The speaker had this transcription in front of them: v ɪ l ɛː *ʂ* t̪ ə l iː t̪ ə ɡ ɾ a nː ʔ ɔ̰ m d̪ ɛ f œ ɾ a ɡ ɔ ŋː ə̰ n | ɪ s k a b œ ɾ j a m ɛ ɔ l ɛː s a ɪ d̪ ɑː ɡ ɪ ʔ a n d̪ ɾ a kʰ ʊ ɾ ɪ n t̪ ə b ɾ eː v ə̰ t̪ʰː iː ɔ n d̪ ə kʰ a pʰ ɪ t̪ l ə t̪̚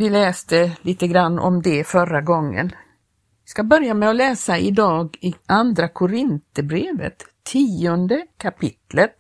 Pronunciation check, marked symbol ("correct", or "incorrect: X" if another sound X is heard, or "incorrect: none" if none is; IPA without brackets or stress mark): incorrect: s